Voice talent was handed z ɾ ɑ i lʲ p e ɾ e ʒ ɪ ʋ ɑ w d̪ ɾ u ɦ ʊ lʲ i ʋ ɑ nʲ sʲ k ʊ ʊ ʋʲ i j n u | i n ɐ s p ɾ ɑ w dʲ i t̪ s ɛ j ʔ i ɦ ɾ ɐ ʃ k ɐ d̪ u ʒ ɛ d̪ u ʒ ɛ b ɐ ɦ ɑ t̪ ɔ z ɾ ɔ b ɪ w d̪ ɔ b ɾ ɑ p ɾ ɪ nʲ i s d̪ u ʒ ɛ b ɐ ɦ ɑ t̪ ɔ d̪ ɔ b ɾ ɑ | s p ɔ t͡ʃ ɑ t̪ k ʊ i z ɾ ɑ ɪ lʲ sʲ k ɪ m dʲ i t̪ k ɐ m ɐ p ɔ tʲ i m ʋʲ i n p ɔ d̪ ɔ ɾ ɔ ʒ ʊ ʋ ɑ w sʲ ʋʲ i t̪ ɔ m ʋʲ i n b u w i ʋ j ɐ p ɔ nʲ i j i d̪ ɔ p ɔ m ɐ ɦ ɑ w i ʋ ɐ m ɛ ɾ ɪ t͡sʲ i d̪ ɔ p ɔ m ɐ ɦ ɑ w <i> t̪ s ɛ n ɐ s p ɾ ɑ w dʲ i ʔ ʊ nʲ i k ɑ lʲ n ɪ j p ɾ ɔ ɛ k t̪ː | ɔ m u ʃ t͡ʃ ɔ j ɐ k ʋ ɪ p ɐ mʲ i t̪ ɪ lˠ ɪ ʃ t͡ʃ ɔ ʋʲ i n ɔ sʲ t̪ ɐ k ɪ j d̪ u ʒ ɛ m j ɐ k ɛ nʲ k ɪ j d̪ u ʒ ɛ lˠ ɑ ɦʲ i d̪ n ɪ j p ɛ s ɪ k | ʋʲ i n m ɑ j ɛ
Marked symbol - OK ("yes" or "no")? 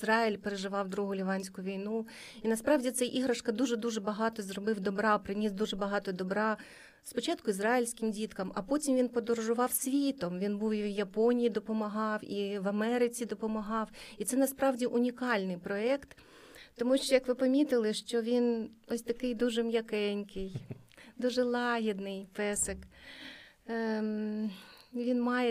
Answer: yes